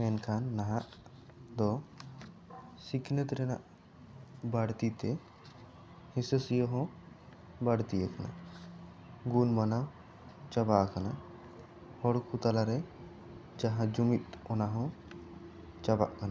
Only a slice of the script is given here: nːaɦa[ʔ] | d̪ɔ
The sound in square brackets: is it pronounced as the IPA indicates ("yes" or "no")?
yes